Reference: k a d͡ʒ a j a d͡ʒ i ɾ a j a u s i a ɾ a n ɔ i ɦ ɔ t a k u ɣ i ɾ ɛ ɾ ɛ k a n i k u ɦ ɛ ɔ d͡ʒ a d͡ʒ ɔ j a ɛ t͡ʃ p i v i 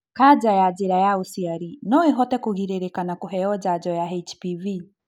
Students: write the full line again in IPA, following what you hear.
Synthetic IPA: k a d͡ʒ a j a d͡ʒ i ɾ a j a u s i a ɾ i n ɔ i ɦ ɔ t ɛ k u ɣ i ɾ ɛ ɾ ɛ k a n a k u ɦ ɛ ɔ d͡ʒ a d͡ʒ ɔ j a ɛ t͡ʃ p i v i